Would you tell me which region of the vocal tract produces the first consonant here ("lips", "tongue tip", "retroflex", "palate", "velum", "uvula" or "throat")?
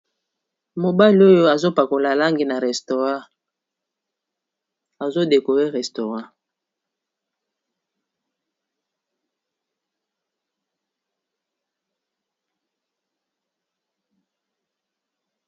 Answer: lips